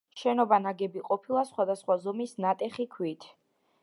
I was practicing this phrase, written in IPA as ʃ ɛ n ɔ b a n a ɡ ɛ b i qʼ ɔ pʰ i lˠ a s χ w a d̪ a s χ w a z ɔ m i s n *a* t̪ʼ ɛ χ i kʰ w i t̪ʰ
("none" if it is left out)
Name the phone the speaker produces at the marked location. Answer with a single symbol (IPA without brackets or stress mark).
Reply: a